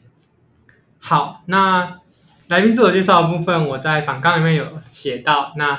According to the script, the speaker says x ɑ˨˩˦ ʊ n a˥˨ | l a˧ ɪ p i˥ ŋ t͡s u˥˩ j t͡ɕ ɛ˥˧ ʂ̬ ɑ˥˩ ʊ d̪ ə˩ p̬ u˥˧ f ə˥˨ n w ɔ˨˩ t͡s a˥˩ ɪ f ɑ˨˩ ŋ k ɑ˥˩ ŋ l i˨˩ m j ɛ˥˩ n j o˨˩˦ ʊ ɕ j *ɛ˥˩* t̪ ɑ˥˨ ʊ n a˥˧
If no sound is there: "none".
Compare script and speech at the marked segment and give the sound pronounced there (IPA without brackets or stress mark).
ɛ˨˩